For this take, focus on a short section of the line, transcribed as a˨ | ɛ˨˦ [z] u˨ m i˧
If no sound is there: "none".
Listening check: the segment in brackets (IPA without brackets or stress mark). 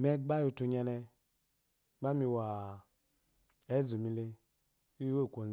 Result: z